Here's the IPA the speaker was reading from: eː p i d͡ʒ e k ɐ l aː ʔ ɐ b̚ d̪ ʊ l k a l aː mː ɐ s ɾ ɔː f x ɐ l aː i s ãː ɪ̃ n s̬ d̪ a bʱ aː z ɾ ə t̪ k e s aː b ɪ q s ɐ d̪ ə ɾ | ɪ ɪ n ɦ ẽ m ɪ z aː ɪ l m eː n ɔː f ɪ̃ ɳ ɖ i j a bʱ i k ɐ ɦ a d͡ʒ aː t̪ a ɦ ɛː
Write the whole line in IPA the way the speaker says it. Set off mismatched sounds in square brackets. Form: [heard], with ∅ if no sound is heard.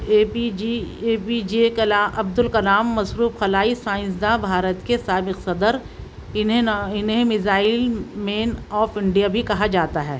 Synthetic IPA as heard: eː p i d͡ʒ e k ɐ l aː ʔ ɐ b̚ d̪ ʊ l k [ɐ] l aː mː ɐ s ɾ [uː] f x ɐ l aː i s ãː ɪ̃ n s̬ d̪ a bʱ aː [∅] ɾ ə t̪ k e s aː b ɪ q s ɐ d̪ ə ɾ | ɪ ɪ n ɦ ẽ m ɪ z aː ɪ l m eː n ɔː f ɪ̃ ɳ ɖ i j a bʱ i k ɐ ɦ a d͡ʒ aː t̪ a ɦ ɛː